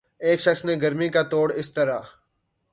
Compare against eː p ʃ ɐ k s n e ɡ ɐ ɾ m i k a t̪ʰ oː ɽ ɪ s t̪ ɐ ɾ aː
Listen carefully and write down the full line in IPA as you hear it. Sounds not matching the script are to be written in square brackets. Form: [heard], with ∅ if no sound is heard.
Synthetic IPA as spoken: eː [k] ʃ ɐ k s n e ɡ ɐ ɾ m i k a [t̪] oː ɽ ɪ s t̪ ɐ ɾ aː